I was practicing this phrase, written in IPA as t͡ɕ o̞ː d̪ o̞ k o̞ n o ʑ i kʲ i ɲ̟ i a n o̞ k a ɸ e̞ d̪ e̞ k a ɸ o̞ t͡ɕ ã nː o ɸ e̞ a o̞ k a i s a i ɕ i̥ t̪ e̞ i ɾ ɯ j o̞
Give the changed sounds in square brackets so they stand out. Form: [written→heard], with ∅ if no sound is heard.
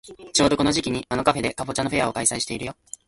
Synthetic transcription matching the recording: t͡ɕ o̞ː d̪ o̞ k o̞ n o ʑ i kʲ i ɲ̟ i a n o̞ k a ɸ e̞ d̪ e̞ k a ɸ o̞ t͡ɕ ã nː o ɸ e̞ a o̞ k a i s a i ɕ i̥ t̪ e̞ i ɾ ɯ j o̞